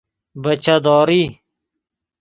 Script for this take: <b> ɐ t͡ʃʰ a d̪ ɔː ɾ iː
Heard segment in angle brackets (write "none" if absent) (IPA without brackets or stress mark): b